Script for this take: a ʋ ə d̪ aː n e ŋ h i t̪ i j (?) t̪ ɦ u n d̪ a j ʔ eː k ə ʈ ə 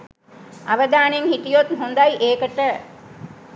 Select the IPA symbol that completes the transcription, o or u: o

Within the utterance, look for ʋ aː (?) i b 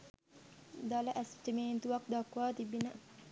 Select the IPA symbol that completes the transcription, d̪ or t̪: t̪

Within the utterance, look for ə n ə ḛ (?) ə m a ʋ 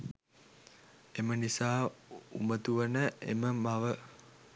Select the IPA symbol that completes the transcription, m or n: m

